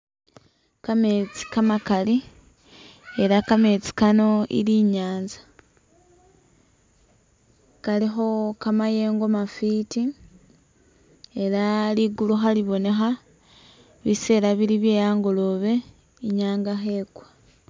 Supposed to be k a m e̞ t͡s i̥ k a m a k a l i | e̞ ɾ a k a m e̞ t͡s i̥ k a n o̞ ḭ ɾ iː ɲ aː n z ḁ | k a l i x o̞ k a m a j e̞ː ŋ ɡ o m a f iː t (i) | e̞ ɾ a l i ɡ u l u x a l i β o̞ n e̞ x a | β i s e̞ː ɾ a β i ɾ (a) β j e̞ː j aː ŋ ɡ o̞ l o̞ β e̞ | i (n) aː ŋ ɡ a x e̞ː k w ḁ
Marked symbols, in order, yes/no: yes, no, no

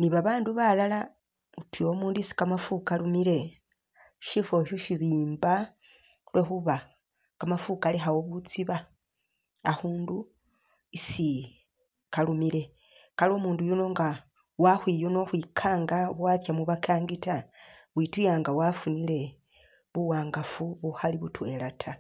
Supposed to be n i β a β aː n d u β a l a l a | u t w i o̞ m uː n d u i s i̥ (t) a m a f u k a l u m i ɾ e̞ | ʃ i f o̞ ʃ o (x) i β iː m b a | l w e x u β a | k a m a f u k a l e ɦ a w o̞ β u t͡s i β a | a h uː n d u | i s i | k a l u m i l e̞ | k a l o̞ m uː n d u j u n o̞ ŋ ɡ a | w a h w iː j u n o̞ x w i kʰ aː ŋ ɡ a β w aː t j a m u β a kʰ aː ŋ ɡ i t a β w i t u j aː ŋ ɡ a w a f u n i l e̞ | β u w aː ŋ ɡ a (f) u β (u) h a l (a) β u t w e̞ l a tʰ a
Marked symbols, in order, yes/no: no, no, yes, yes, no

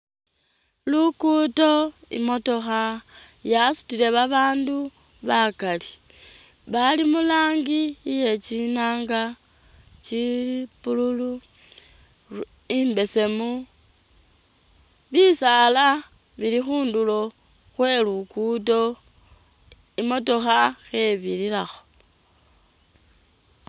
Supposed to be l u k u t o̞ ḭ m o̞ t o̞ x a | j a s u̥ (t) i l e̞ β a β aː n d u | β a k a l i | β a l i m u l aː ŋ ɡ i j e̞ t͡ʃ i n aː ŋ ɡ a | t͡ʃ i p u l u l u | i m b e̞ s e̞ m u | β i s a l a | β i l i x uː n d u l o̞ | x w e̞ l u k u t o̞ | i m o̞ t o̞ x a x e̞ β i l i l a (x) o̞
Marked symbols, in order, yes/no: yes, yes

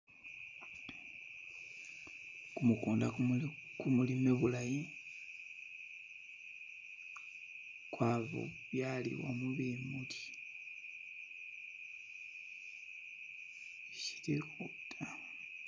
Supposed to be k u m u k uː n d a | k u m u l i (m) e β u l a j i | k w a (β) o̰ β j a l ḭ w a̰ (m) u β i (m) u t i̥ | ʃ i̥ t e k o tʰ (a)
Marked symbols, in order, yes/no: yes, yes, yes, yes, yes

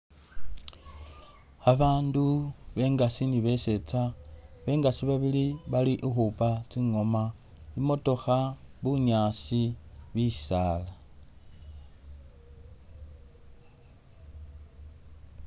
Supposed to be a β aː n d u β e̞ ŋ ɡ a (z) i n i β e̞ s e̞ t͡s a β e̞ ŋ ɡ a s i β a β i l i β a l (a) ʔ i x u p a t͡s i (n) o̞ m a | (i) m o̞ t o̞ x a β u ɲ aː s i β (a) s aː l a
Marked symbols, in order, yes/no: no, no, no, yes, no

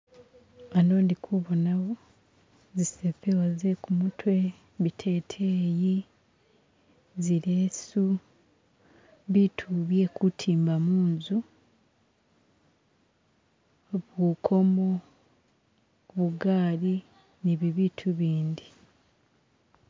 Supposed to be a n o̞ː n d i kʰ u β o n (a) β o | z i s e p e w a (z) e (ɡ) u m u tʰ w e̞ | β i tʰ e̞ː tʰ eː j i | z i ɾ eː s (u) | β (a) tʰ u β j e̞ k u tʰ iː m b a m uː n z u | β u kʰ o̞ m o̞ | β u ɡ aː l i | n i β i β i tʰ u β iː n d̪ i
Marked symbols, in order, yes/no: yes, yes, no, yes, no

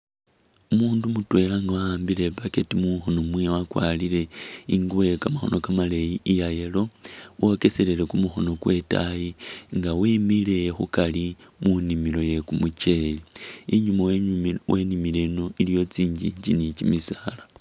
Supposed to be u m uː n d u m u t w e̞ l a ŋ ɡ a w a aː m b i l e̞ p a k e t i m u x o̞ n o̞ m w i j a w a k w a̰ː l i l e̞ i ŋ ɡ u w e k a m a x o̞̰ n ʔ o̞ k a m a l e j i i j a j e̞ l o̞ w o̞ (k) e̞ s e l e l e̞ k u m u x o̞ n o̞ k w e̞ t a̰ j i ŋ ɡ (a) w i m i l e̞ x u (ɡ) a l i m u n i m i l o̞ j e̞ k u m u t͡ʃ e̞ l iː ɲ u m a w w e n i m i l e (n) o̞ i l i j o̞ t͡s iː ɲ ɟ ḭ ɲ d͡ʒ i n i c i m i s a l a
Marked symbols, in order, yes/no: yes, yes, no, yes

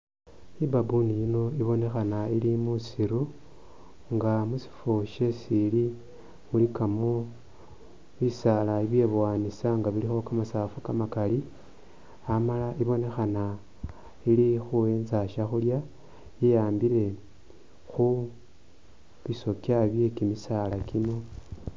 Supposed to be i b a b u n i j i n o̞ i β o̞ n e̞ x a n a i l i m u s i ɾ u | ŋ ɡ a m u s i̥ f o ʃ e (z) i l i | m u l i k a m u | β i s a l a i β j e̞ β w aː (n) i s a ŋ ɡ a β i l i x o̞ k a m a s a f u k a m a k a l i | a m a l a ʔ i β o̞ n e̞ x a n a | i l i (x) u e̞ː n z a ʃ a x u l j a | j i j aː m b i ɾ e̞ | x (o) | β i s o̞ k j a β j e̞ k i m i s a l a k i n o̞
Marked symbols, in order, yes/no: no, yes, yes, no

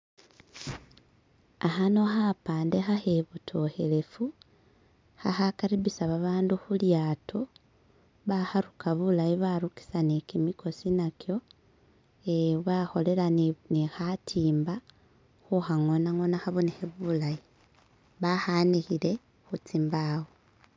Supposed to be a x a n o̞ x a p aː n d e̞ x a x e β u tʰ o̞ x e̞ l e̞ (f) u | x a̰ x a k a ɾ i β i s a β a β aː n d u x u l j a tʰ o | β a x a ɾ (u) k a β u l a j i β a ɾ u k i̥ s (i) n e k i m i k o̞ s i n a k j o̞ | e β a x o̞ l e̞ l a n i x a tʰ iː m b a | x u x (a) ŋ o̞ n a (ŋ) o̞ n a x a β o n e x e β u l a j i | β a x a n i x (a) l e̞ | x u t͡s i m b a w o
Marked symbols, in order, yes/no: yes, yes, no, yes, yes, no

